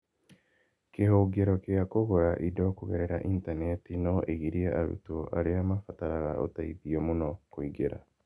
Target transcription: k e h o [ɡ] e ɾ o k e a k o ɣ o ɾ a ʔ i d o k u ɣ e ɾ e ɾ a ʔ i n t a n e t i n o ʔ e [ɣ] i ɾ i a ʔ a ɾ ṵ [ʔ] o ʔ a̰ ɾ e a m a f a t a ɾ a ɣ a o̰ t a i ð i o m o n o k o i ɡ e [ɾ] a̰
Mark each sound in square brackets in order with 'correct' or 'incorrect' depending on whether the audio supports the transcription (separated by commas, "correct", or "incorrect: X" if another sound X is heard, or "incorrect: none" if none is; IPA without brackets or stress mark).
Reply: correct, correct, incorrect: t, correct